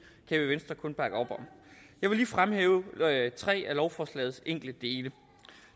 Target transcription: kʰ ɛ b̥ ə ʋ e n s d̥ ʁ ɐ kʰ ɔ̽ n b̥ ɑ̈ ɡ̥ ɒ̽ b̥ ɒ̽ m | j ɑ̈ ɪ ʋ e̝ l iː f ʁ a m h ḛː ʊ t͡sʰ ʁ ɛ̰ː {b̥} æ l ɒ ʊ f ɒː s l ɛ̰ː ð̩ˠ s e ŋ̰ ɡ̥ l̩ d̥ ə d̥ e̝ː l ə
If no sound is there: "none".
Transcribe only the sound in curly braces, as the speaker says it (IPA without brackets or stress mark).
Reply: none